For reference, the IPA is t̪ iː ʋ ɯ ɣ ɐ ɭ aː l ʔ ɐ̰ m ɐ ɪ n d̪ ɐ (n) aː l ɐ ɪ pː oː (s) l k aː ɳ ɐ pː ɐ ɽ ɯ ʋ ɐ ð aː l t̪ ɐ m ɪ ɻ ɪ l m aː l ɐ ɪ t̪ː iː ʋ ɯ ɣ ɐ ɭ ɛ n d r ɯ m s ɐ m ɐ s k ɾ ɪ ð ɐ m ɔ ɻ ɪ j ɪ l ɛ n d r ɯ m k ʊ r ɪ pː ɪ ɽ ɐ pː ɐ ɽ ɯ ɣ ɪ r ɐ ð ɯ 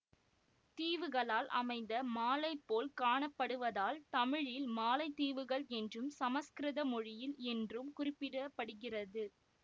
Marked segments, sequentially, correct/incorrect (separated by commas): incorrect, incorrect